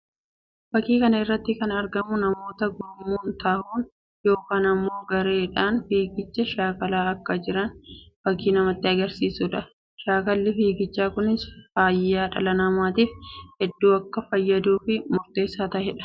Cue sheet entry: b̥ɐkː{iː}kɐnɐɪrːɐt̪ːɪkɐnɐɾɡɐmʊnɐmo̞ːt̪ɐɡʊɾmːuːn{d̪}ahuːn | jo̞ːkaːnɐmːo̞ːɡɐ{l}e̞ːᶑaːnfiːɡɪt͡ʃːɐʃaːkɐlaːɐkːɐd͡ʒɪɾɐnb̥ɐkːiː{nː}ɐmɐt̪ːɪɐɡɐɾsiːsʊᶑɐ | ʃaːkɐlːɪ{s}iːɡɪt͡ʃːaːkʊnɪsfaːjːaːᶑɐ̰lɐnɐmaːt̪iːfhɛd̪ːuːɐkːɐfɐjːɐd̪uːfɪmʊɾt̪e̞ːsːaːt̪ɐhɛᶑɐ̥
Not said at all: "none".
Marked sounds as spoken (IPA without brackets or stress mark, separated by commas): iː, t̪, ɾ, n, f